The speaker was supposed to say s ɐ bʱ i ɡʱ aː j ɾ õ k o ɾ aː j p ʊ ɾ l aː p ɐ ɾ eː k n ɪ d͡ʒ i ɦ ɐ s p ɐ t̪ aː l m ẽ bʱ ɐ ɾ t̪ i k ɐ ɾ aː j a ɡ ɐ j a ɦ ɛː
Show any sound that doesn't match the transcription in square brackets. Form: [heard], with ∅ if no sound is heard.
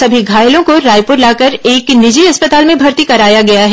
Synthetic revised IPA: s ɐ bʱ i ɡʱ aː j [l] õ k o ɾ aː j p ʊ ɾ l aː [k] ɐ ɾ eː k n ɪ d͡ʒ i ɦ ɐ s p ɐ t̪ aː l m ẽ bʱ ɐ ɾ t̪ i k ɐ ɾ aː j a ɡ ɐ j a ɦ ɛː